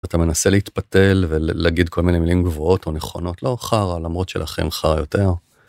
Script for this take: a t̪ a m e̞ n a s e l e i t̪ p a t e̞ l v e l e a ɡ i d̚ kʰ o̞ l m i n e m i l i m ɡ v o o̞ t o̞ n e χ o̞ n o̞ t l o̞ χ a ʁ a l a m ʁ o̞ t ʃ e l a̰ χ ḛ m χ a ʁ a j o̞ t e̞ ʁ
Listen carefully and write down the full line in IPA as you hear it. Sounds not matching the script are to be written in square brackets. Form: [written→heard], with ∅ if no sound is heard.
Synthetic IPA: a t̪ a m e̞ n a s e l e i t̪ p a t e̞ l v e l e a ɡ i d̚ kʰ o̞ l m i n e m i l i m ɡ v o o̞ t o̞ n e χ o̞ n o̞ t l o̞ χ a ʁ a l a m ʁ o̞ t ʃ e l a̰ χ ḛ m χ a ʁ a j o̞ t e̞ ʁ